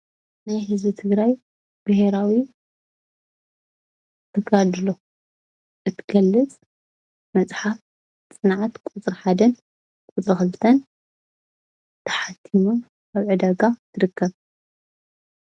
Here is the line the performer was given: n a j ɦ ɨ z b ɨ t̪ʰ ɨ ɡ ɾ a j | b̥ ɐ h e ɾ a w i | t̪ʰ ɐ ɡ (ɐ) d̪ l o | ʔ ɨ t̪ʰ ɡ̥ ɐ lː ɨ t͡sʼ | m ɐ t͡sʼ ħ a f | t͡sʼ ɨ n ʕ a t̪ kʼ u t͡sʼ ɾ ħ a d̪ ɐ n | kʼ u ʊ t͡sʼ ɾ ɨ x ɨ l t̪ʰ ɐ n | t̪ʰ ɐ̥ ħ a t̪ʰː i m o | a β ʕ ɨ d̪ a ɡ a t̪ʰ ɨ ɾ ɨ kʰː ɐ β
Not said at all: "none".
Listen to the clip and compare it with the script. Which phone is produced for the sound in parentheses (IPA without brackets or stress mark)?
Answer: a